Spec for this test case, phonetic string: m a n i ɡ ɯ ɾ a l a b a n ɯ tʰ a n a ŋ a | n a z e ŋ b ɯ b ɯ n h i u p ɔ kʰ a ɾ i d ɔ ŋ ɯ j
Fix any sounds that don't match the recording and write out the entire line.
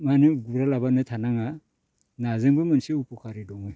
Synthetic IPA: m a n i ɡ u ɾ a l a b a n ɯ tʰ a n a ŋ a | n a z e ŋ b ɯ m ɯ n s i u p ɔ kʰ a ɾ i d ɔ ŋ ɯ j